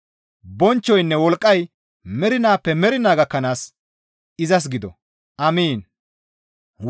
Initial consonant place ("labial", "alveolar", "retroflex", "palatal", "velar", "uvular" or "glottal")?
labial